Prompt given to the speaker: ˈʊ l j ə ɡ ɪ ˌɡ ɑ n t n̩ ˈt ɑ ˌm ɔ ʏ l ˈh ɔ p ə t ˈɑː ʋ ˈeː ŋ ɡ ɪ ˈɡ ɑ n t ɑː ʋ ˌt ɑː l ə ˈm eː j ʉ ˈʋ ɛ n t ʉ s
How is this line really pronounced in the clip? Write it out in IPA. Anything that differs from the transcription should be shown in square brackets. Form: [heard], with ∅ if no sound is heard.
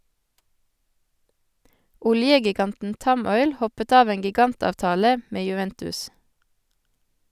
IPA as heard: ˈʊ l j ə ɡ ɪ ˌɡ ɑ n t n̩ ˈt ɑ ˌm ɔ ʏ l ˈh ɔ p ə t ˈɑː ʋ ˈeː ŋ ɡ ɪ ˈɡ ɑ n t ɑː ʋ ˌt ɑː l ə ˈm eː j ʉ ˈʋ ɛ n t ʉ s